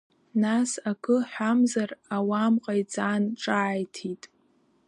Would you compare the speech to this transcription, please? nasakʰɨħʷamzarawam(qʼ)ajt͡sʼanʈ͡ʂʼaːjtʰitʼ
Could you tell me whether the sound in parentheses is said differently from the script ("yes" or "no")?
no